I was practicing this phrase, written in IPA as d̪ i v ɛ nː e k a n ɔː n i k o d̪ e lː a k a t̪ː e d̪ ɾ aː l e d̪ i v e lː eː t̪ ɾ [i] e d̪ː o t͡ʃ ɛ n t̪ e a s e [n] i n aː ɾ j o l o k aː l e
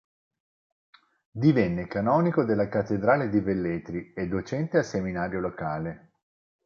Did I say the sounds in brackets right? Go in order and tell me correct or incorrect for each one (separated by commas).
correct, incorrect